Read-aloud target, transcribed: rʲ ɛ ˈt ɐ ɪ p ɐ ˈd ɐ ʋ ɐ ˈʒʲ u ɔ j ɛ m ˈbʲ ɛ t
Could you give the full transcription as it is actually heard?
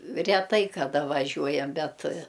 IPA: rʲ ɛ ˈt ɐ ɪ k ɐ ˈd ɐ ʋ ɐ ˈʒʲ u ɔ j ɛ m ˈbʲ ɛ t